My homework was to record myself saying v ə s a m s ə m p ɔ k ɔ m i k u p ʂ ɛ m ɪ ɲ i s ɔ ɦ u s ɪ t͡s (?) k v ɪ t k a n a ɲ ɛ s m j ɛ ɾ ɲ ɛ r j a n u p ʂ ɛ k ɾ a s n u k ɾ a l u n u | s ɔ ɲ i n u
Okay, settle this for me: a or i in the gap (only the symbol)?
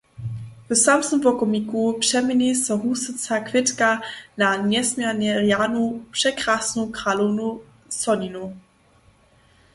a